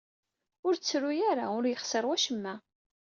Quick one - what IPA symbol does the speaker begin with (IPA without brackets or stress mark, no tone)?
ʊ